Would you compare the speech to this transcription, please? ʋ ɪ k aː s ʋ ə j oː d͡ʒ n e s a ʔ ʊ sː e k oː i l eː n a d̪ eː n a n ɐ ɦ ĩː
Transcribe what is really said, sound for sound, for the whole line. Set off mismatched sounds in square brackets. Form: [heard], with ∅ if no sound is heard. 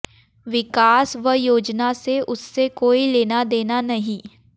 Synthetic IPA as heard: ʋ ɪ k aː s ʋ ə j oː d͡ʒ n [a] s [e] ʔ ʊ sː e k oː i l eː n a d̪ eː n a n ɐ ɦ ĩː